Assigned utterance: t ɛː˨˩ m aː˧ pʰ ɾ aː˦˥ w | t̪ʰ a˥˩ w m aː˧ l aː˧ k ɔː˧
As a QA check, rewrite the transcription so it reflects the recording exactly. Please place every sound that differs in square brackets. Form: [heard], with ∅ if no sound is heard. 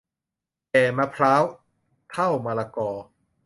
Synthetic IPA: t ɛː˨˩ m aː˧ pʰ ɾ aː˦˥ w | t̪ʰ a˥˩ w m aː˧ l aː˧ k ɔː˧